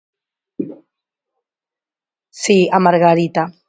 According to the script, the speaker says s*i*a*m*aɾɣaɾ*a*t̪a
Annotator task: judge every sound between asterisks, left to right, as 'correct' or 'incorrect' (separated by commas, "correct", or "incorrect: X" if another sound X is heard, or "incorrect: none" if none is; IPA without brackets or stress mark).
correct, correct, incorrect: i